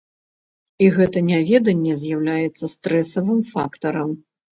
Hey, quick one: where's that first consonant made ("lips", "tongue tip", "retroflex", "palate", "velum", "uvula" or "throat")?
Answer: velum